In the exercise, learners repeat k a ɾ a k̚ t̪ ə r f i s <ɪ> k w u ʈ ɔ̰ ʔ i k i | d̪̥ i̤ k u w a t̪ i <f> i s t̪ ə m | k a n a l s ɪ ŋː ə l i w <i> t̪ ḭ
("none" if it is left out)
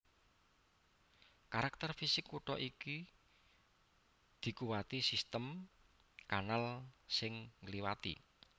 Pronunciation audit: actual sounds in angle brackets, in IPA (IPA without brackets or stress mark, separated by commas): ɪ, s, a